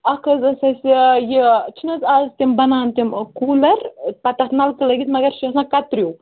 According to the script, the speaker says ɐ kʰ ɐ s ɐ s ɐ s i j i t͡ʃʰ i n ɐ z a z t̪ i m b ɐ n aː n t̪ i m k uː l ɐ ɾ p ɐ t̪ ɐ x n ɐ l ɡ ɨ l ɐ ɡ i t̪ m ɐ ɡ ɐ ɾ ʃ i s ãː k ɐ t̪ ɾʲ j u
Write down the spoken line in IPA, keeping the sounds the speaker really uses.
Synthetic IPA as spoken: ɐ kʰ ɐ z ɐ s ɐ s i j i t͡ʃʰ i n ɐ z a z t̪ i m b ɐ n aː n t̪ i m k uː l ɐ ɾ p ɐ t̪ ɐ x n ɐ l k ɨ l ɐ ɡ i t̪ m ɐ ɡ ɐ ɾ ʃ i s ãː k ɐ t̪ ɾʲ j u